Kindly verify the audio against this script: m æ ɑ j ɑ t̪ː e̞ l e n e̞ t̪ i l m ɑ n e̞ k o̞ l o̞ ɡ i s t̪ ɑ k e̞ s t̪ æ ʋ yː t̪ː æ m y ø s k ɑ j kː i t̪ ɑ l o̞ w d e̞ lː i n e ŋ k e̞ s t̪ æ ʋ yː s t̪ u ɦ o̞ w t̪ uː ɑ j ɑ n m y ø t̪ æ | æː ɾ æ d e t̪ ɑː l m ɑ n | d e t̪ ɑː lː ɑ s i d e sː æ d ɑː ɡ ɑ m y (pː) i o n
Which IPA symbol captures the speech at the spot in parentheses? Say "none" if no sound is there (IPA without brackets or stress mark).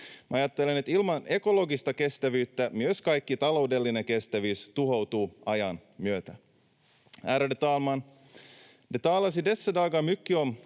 kː